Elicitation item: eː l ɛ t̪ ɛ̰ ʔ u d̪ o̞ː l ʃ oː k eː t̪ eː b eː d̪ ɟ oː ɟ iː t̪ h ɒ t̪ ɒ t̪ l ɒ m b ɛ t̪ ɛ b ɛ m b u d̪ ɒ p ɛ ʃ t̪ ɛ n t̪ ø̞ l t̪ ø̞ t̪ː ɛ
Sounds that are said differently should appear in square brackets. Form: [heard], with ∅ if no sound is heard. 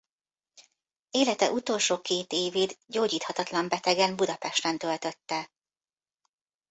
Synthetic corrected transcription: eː l ɛ t̪ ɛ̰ ʔ u [t̪] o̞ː l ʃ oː k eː t̪ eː [v] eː d̪ ɟ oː ɟ iː t̪ h ɒ t̪ ɒ t̪ l ɒ m b ɛ t̪ ɛ [ɡ] ɛ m b u d̪ ɒ p ɛ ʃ t̪ ɛ n t̪ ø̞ l t̪ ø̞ t̪ː ɛ